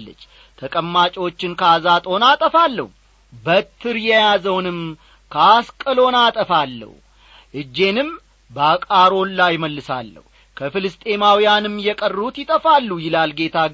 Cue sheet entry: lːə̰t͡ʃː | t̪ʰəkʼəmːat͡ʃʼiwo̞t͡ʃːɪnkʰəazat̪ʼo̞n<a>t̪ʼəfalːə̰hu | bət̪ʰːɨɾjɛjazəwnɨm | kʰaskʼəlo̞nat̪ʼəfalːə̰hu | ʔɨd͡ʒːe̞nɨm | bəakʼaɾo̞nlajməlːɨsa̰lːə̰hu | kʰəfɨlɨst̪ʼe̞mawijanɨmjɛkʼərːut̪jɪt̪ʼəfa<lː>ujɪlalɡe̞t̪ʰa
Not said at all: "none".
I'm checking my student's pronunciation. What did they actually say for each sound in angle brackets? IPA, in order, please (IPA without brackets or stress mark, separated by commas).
a, lː